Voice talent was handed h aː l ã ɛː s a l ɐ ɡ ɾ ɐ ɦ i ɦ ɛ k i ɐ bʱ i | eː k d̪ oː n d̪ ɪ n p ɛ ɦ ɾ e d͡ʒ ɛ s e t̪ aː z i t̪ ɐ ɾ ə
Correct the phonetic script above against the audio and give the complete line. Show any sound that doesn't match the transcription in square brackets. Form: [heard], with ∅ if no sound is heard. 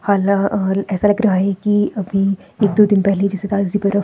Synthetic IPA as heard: h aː l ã ɛː s a l ɐ ɡ ɾ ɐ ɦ [a] ɦ ɛ k i ɐ bʱ i | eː k d̪ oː [∅] d̪ ɪ n p ɛ ɦ [l] e d͡ʒ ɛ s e t̪ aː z i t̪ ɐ ɾ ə